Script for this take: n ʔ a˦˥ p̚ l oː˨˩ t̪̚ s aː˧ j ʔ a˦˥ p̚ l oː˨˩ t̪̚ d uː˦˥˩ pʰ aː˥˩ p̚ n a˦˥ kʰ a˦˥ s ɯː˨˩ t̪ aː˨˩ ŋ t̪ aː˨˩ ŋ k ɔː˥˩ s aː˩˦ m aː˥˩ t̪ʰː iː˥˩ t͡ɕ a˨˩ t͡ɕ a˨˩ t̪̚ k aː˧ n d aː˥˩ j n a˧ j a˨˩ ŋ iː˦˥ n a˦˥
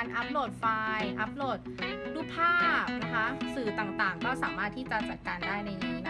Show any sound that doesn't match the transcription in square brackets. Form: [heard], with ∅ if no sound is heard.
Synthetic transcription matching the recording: n ʔ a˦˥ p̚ l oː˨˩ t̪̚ [f] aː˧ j ʔ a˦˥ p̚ l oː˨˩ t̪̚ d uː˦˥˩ pʰ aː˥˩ p̚ n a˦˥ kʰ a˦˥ s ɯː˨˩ t̪ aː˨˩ ŋ t̪ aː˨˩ ŋ k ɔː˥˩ s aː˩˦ m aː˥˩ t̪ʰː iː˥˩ t͡ɕ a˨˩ t͡ɕ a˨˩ t̪̚ k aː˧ n d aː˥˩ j n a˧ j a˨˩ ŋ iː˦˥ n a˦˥

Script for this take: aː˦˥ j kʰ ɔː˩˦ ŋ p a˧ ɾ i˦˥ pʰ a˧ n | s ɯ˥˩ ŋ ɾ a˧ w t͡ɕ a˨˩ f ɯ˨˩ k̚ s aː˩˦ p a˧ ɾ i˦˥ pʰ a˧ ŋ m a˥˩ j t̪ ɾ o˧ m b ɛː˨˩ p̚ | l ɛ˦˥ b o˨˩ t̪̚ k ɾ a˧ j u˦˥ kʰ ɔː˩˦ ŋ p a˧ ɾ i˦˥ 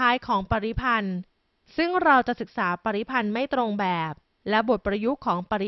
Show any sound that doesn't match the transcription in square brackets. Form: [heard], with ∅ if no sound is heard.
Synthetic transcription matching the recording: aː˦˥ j kʰ ɔː˩˦ ŋ p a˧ ɾ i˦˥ pʰ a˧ n | s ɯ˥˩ ŋ ɾ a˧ w t͡ɕ a˨˩ [s] ɯ˨˩ k̚ s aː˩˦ p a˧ ɾ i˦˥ pʰ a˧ [n] m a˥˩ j t̪ ɾ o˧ [ŋ] b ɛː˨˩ p̚ | l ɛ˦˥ b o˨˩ t̪̚ [p] ɾ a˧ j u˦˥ kʰ ɔː˩˦ ŋ p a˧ ɾ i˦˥

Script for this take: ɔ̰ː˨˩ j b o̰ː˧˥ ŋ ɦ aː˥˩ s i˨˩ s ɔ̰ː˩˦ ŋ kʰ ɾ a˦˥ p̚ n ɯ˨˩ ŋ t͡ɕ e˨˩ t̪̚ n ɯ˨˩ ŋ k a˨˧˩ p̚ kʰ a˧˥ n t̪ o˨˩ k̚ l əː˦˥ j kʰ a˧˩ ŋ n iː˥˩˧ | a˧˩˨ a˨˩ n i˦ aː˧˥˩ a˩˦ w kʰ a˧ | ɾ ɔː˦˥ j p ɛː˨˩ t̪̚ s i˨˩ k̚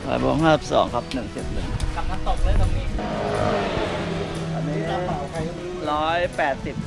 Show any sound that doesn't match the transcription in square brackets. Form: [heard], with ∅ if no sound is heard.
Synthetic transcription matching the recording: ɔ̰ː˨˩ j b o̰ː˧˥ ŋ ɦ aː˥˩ s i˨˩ s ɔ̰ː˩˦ ŋ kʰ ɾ a˦˥ p̚ n ɯ˨˩ ŋ t͡ɕ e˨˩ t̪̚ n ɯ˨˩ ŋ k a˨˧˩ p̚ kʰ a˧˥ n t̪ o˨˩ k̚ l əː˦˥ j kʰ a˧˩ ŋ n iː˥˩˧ | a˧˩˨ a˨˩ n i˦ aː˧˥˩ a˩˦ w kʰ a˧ | ɾ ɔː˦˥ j p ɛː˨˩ t̪̚ s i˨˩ [p̚]

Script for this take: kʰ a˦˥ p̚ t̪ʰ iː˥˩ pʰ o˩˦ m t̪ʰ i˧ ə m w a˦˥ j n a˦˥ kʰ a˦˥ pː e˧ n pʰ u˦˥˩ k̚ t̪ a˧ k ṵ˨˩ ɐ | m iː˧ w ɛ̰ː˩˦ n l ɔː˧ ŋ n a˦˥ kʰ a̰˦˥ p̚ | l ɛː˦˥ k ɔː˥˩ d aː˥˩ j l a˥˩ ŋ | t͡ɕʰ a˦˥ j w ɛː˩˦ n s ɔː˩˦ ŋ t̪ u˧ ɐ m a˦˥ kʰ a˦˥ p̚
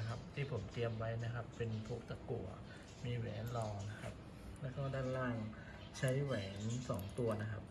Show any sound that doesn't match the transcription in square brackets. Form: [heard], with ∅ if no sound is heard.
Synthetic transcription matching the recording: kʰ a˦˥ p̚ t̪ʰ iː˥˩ pʰ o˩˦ m [t̪] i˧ ə m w a˦˥ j n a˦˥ kʰ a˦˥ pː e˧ n pʰ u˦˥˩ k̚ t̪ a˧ k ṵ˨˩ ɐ | m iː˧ w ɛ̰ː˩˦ n l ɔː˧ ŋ n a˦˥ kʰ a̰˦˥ p̚ | l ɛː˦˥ k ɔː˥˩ d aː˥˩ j l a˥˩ ŋ | t͡ɕʰ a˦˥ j w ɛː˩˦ n s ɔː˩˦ ŋ t̪ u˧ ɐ [n] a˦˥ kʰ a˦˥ p̚

